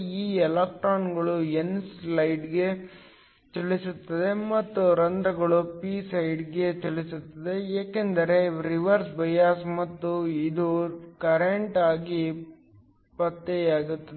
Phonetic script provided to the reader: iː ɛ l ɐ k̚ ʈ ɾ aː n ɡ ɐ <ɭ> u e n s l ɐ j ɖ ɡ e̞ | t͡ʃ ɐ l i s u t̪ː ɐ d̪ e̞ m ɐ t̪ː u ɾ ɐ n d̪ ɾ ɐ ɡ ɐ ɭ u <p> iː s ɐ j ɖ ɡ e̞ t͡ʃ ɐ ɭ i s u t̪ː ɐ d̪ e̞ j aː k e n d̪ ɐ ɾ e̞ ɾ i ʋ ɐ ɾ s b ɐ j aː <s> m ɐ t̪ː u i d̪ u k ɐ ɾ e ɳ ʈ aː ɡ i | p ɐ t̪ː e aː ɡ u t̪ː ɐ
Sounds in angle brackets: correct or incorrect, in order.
correct, correct, correct

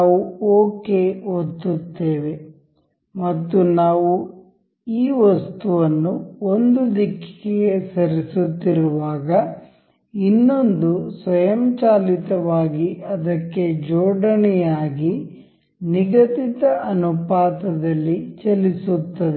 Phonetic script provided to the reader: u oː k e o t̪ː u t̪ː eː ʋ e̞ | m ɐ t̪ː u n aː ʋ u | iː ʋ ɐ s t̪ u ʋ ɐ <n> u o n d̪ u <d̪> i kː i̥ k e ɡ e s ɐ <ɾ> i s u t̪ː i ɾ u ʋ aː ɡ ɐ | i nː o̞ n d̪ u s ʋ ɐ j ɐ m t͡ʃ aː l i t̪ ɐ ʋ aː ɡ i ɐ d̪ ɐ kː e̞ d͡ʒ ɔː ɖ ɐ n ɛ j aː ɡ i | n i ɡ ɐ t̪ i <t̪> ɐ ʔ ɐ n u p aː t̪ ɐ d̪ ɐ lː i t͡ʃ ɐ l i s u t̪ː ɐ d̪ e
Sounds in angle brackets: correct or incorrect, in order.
incorrect, correct, correct, correct

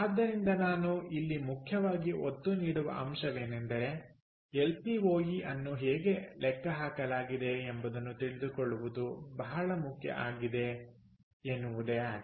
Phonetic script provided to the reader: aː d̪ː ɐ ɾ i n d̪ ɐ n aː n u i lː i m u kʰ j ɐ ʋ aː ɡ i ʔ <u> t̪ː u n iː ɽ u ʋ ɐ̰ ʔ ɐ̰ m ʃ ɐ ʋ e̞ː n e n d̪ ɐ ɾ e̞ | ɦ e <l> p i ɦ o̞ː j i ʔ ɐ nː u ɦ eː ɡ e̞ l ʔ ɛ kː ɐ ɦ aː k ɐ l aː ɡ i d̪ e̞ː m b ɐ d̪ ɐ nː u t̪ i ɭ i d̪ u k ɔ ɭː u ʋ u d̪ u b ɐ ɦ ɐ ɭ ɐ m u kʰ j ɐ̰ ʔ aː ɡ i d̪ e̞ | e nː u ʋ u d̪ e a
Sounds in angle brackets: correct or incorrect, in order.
incorrect, correct

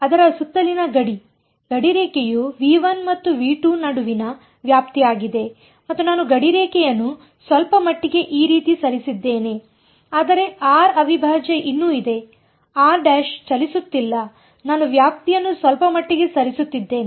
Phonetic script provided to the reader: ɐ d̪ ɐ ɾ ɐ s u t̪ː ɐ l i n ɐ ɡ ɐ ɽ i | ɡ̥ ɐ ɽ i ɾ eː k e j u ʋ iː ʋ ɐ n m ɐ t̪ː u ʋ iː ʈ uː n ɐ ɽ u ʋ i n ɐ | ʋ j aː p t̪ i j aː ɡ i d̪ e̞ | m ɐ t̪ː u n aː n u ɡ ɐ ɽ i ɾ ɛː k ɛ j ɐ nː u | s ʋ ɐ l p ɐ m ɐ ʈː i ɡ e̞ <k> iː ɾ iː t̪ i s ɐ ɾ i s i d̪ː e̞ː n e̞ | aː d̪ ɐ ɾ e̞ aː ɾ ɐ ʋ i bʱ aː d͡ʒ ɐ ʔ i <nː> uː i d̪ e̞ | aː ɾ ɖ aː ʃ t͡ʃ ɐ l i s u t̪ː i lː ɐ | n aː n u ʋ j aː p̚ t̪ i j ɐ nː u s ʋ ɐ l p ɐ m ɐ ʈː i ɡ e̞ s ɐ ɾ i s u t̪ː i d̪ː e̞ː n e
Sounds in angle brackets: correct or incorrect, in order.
incorrect, correct

